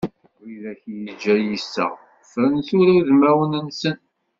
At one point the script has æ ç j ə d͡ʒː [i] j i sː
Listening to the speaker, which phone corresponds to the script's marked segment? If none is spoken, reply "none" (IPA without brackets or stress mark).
æ